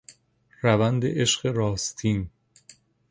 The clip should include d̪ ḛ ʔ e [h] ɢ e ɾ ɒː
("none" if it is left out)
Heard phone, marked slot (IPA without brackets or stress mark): ʃ